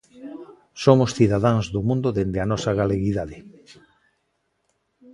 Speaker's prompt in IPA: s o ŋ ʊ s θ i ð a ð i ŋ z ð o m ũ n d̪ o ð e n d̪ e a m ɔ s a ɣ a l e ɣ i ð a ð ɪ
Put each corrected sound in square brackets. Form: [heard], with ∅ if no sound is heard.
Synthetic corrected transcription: s o [m] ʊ s θ i ð a ð [a] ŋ z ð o m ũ n d̪ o ð e n d̪ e a [n] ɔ s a ɣ a l e ɣ i ð a ð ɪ

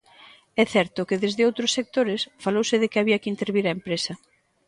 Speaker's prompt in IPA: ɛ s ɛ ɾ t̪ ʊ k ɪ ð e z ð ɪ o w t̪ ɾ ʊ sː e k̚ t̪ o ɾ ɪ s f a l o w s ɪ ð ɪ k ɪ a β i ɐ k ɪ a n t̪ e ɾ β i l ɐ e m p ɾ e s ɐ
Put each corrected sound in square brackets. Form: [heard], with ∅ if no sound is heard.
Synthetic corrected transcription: ɛ [θ] ɛ ɾ t̪ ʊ k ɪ ð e z ð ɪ o w t̪ ɾ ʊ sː e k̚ t̪ o ɾ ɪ s f a l o w s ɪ ð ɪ k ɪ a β i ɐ k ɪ [i] n t̪ e ɾ β i [ɾ] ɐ e m p ɾ e s ɐ

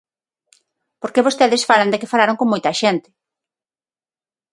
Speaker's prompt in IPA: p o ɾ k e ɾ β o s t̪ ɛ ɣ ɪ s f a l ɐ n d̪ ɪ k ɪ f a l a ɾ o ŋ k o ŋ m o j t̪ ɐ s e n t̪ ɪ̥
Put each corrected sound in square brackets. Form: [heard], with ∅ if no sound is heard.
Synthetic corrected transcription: p o ɾ k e [∅] β o s t̪ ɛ [ð] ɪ s f a l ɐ n d̪ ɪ k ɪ f a l a ɾ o ŋ k o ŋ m o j t̪ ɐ [ʃ] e n t̪ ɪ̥

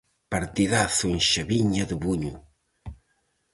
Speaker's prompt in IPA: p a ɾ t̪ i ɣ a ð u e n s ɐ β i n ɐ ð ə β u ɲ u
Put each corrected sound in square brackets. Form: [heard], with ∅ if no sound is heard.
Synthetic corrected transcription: p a ɾ t̪ i [ð] a [θ] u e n [ʃ] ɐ β i [ɲ] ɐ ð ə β u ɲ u

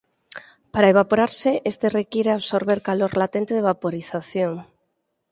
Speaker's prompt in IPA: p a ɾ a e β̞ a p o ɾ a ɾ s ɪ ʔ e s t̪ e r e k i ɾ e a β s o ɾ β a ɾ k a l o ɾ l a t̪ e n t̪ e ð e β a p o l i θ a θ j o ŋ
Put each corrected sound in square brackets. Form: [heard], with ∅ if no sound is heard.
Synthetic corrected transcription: p a ɾ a e β̞ a p o ɾ a ɾ s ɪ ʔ e s t̪ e r e k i ɾ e a β s o ɾ β [e] ɾ k a l o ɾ l a t̪ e n t̪ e ð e β a p o [ɾ] i θ a θ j o ŋ

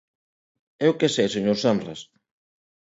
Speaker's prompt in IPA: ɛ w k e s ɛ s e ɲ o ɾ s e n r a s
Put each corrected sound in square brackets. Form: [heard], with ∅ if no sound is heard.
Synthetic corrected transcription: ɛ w k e s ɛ s e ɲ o ɾ s [a] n r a s

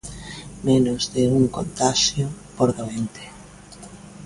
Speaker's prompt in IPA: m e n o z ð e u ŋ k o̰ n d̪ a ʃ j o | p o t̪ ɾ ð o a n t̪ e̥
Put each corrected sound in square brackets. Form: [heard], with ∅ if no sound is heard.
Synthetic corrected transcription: m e n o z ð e u ŋ k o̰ n [t̪] a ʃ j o | p o [∅] ɾ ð o [e] n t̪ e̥

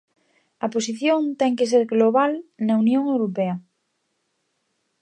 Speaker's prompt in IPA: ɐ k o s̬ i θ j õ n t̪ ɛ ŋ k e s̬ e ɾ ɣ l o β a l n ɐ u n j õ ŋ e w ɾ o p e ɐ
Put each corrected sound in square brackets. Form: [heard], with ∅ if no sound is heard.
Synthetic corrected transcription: ɐ [p] o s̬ i θ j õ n t̪ ɛ ŋ k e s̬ e ɾ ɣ l o β a l n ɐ u n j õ ŋ e w ɾ o p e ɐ

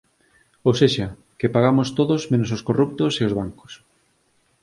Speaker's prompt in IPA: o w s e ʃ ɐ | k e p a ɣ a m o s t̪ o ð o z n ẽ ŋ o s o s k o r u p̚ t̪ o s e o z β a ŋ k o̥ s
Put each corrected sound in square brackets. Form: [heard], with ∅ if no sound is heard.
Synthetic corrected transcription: o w s e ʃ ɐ | k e p a ɣ a m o s t̪ o ð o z [m] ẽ [n] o s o s k o r u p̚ t̪ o s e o z β a ŋ k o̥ s

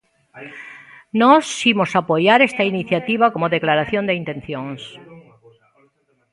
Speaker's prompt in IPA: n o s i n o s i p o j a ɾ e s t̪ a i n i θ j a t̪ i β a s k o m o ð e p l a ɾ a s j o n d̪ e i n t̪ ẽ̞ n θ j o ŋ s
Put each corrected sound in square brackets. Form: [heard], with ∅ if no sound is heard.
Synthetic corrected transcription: n o s i [m] o s [a] p o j a ɾ e s t̪ a i n i θ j a t̪ i β a [∅] k o m o ð e [k] l a ɾ a [θ] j o n d̪ e i n t̪ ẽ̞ n θ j o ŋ s

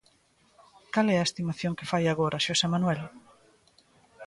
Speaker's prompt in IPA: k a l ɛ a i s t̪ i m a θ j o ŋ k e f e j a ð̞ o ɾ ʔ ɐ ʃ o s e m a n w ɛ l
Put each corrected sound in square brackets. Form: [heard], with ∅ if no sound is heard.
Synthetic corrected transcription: k a l ɛ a [e] s t̪ i m a θ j o ŋ k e f [a] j a [ɣ̞] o ɾ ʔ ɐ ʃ o s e m a n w ɛ l

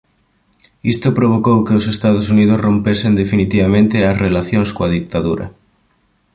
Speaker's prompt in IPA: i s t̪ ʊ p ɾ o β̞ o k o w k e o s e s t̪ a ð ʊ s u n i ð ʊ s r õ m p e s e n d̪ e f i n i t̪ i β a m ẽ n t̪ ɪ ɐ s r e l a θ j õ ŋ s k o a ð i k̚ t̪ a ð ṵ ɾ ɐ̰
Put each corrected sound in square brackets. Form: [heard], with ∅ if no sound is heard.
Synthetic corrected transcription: i s t̪ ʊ p ɾ o β̞ o k o w k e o s e s t̪ a ð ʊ s u n i ð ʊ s r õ m p e s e n d̪ e f i n i t̪ i β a m ẽ n t̪ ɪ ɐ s r e l a θ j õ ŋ s k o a ð i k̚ t̪ a ð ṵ ɾ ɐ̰

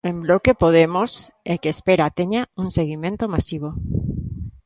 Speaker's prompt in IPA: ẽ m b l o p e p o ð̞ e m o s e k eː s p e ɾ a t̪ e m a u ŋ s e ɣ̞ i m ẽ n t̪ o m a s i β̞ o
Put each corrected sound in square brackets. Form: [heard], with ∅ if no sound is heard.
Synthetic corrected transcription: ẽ m b l o [k] e p o ð̞ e m o s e k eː s p e ɾ a t̪ e [ɲ] a u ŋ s e ɣ̞ i m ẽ n t̪ o m a s i β̞ o

